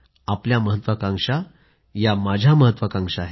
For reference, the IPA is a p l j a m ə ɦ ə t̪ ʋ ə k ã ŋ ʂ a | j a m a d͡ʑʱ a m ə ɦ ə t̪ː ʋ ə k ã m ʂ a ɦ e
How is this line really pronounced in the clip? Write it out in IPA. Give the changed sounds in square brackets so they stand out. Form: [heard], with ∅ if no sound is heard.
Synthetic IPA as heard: a p l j a m ə ɦ ə t̪ ʋ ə k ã ŋ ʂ a | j a m a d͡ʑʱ a m ə ɦ ə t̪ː ʋ ə k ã [ŋ] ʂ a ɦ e